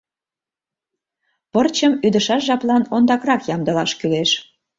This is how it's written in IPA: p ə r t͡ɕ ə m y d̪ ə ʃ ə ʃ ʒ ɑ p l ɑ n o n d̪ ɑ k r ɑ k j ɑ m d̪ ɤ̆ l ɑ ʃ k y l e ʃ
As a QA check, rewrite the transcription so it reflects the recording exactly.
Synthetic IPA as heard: p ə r t͡ɕ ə m y d̪ ə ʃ ɑ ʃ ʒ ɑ p l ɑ n o n d̪ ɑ k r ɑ k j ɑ m d̪ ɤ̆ l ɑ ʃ k y l e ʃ